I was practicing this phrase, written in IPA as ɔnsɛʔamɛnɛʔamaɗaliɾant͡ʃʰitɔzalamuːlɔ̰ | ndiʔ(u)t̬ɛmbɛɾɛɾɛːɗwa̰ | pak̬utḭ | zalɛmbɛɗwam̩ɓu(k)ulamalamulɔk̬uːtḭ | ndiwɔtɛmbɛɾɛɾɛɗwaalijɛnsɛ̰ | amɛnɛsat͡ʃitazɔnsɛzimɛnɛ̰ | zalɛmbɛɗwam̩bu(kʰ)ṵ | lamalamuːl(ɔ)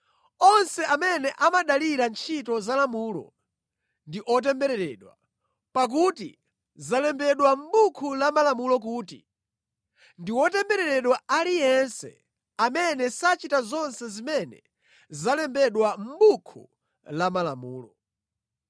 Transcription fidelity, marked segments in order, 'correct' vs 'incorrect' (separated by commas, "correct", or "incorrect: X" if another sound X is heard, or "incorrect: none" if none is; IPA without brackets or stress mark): incorrect: ɔ, incorrect: kʰ, correct, correct